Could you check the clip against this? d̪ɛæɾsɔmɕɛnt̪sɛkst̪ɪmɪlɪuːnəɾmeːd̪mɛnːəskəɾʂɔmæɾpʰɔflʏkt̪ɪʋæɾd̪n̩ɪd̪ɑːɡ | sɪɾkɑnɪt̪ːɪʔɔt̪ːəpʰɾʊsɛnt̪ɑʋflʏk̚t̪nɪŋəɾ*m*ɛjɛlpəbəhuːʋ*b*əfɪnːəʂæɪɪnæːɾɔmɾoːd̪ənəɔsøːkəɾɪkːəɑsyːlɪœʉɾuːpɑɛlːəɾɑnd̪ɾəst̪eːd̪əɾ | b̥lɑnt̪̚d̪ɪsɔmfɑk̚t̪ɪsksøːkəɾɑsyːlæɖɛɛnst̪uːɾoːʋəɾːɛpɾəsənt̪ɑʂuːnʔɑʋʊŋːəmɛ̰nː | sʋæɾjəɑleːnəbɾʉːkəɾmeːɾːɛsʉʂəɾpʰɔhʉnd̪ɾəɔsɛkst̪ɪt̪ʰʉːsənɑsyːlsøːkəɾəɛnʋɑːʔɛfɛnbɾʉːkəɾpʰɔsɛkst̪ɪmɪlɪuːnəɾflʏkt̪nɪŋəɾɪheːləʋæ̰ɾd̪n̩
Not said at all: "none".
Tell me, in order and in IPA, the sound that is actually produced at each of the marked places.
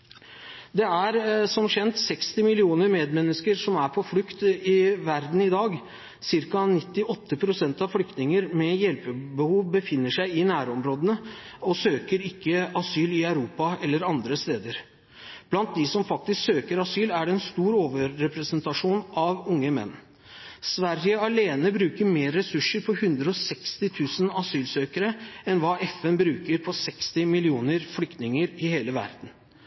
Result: m, b

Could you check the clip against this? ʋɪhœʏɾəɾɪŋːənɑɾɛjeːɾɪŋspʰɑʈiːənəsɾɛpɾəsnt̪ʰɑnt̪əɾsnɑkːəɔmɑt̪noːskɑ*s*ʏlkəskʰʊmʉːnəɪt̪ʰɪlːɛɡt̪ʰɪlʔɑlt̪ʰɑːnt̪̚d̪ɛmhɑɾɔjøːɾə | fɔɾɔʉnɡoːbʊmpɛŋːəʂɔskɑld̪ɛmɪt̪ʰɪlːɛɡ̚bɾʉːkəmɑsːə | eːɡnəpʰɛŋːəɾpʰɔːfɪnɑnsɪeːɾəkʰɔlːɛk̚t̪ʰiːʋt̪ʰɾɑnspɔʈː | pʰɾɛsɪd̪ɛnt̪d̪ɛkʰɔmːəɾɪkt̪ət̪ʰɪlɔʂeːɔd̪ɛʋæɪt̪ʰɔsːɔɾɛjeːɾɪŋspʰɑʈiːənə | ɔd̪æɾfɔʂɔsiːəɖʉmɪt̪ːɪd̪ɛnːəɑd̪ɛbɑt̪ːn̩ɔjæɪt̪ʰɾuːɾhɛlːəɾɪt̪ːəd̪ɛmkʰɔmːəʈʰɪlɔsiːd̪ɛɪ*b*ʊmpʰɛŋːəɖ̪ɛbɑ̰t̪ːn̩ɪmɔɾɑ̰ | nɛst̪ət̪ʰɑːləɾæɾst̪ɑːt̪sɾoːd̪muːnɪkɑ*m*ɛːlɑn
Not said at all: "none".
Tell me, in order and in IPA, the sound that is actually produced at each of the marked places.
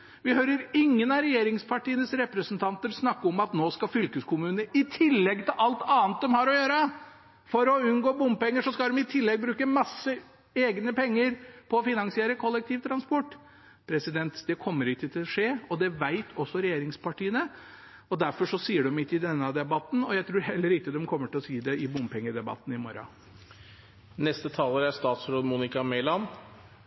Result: f, b, m

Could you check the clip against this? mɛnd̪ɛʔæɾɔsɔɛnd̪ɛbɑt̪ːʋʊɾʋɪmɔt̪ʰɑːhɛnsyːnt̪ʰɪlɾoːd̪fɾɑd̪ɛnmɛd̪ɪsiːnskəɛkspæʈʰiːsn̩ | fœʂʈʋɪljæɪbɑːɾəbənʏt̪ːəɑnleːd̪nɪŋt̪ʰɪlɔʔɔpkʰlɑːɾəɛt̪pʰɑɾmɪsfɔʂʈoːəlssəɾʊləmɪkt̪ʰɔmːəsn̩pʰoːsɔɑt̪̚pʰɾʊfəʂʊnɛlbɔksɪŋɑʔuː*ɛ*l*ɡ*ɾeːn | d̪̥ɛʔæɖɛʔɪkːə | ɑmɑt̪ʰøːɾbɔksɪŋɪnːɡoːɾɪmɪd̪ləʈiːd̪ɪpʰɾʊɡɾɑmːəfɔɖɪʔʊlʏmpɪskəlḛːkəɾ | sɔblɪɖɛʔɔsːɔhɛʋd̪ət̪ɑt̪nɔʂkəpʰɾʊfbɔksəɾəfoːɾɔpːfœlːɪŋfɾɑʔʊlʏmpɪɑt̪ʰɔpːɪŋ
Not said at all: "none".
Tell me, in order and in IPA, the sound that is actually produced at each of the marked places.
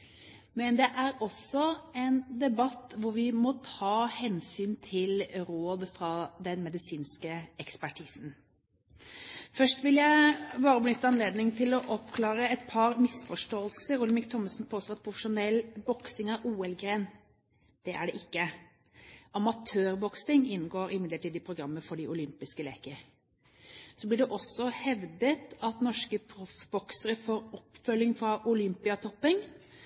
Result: ɛ, ɡ

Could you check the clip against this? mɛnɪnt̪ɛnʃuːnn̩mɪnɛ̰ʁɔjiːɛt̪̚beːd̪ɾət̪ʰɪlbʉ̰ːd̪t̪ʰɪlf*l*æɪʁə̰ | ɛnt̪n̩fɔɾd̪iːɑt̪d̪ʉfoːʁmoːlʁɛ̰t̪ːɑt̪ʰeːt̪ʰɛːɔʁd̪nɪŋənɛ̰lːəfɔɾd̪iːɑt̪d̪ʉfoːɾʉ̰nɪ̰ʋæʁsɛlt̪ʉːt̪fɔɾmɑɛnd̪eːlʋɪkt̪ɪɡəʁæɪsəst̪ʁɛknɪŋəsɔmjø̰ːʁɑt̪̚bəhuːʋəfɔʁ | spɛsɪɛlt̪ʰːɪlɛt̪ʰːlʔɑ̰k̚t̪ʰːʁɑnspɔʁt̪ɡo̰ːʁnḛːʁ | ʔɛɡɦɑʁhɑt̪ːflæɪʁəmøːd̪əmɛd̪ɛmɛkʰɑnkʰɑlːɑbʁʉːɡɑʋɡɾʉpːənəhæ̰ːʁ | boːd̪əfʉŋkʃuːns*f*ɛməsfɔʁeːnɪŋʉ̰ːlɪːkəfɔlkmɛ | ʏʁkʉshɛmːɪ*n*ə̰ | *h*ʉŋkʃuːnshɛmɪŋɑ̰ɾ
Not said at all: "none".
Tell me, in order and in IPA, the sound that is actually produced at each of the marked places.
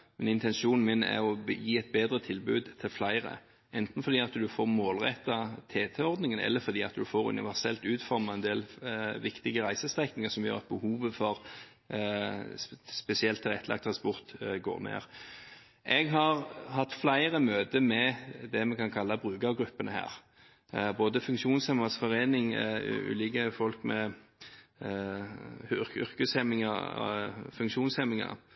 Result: l, h, ŋ, f

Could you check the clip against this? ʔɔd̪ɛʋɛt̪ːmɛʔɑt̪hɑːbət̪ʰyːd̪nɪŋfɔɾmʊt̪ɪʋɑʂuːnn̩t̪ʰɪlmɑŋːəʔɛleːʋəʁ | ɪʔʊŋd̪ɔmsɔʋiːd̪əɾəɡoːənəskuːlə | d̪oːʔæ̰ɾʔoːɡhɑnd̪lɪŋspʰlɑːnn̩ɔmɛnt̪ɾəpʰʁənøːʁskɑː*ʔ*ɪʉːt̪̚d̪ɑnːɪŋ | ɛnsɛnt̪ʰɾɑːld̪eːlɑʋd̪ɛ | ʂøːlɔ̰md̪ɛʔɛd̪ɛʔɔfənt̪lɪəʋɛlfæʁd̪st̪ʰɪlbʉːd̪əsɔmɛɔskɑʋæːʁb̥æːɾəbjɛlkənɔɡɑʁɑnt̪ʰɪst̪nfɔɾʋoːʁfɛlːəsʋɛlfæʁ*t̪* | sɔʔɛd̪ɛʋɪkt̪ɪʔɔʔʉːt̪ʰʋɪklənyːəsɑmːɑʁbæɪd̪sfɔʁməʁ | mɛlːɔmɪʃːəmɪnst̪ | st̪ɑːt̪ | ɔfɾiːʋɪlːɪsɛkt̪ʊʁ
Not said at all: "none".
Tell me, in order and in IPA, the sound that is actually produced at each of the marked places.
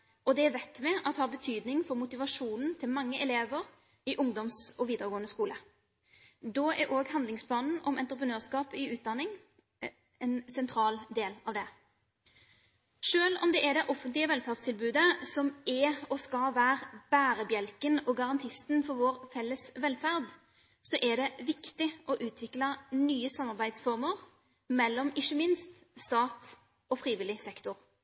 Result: p, d̪

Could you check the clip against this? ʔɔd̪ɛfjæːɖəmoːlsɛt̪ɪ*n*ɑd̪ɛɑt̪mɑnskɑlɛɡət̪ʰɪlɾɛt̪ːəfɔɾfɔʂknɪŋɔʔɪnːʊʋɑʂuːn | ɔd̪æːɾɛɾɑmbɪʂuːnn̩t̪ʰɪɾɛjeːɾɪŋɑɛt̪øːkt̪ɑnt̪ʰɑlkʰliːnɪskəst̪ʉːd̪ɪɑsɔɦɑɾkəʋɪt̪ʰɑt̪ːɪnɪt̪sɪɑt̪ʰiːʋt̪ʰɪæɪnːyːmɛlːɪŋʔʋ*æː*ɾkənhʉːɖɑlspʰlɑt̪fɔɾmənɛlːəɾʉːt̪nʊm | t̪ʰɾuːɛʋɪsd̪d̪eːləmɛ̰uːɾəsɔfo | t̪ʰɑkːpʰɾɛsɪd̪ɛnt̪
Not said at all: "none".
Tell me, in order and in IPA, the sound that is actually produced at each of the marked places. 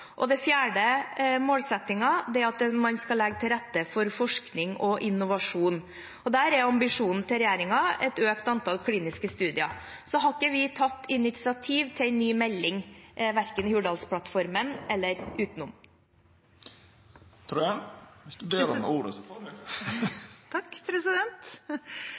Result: ŋ, æ

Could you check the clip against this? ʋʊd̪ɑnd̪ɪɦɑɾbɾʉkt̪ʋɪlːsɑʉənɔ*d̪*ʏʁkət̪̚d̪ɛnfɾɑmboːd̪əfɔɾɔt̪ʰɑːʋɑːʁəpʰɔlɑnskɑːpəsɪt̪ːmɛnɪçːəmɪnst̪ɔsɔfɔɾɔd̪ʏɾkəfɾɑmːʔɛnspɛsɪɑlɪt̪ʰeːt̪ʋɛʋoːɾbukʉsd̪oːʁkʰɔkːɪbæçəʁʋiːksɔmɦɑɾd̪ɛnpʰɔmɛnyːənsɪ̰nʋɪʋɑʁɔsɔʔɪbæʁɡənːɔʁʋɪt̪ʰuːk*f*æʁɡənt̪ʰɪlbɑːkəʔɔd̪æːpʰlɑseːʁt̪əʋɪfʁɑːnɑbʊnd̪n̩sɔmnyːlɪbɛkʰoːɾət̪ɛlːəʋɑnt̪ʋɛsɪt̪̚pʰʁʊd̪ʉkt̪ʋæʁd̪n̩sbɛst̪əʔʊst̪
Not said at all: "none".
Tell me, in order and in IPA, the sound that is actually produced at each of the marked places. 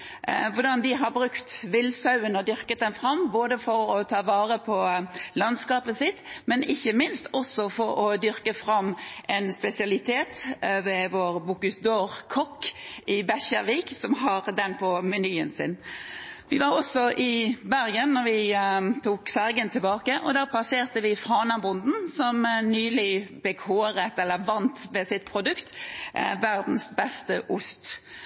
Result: d̪, f

